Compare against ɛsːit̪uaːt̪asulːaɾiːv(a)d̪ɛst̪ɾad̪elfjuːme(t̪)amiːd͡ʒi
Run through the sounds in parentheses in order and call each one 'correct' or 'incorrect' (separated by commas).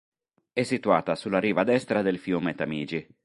correct, correct